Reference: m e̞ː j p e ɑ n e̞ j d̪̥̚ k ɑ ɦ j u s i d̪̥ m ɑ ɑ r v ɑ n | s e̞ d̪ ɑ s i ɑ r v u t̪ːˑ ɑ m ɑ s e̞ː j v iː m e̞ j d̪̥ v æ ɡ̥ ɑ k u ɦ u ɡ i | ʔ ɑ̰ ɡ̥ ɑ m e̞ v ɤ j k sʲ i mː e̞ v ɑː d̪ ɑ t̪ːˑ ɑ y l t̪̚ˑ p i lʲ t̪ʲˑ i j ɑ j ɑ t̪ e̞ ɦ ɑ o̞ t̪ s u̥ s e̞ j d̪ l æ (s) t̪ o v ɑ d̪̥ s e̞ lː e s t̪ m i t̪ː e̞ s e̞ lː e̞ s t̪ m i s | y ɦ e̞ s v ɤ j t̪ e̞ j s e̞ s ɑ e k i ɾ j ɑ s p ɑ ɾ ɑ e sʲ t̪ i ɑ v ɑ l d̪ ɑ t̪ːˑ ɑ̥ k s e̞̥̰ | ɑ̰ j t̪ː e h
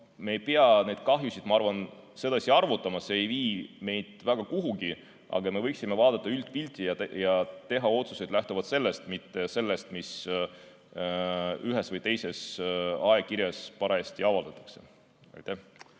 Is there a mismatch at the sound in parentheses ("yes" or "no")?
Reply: yes